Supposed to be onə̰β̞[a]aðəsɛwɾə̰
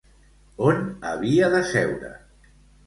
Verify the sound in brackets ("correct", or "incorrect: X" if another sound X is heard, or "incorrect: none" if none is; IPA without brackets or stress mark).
incorrect: i